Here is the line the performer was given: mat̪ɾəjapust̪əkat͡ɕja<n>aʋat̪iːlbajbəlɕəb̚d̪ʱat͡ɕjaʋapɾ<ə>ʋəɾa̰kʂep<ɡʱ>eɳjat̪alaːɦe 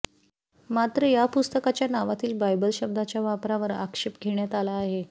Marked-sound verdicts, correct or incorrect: correct, incorrect: a, correct

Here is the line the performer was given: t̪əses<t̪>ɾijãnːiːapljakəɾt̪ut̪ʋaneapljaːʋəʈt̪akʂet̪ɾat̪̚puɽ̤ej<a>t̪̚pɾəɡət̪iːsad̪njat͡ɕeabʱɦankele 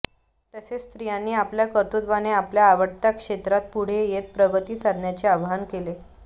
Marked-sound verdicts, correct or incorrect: correct, incorrect: e

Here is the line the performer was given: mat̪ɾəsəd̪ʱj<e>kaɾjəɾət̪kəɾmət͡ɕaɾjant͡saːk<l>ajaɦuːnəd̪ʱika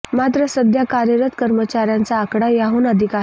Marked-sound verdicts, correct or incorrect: incorrect: a, incorrect: ɽ

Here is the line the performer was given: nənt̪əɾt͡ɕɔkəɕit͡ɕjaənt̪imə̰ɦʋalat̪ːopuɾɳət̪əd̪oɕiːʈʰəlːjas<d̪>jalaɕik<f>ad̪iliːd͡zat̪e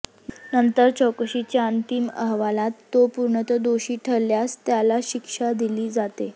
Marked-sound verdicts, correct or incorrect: incorrect: t̪, incorrect: ʂ

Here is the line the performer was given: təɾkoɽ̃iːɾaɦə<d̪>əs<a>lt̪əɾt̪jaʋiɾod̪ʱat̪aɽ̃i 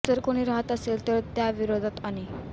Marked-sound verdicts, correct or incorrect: incorrect: t̪, incorrect: e

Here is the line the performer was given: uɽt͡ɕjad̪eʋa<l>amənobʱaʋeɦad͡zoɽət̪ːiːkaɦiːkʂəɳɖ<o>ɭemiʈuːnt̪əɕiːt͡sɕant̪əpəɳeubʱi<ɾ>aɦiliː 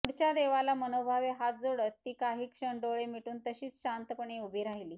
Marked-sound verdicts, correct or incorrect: correct, correct, correct

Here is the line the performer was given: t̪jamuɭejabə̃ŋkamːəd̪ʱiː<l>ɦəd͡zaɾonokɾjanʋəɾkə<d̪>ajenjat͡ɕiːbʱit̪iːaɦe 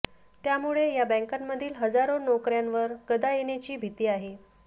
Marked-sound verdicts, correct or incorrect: correct, correct

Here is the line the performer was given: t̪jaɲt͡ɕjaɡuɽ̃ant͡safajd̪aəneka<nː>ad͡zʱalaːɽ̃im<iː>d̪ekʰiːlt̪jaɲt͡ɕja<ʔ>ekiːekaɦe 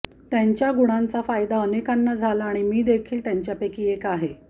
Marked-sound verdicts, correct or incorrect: correct, correct, incorrect: p

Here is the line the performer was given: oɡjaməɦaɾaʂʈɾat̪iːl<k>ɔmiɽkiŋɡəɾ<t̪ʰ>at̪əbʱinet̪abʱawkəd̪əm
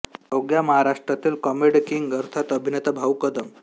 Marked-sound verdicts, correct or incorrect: correct, correct

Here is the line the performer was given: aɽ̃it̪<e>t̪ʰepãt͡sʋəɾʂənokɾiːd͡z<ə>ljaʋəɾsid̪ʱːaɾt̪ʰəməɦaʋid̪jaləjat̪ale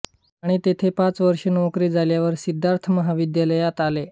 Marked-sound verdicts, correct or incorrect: correct, incorrect: a

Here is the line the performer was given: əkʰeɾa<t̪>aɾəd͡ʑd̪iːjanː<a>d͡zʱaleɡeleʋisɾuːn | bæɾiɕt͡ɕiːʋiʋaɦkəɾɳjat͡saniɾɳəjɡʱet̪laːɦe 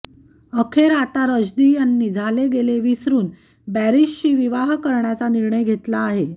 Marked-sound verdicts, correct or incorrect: correct, incorrect: i

